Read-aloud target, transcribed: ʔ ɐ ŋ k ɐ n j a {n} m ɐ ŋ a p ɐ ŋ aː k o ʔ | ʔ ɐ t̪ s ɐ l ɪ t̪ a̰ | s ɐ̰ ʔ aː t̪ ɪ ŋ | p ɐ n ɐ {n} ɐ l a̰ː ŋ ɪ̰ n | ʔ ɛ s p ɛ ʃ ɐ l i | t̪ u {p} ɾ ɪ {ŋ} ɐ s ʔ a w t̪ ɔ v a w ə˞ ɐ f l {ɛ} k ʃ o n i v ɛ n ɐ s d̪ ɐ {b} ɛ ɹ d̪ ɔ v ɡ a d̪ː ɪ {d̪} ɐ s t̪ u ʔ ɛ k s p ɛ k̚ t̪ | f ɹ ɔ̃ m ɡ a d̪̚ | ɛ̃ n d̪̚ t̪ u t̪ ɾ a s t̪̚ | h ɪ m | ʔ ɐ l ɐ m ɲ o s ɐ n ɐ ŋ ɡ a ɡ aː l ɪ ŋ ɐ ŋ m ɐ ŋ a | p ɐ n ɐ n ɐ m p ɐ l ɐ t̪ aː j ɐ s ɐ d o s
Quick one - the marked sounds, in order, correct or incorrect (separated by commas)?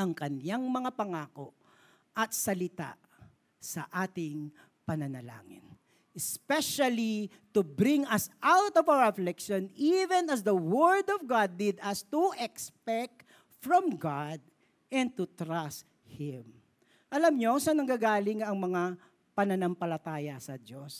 incorrect, correct, incorrect, correct, correct, incorrect, correct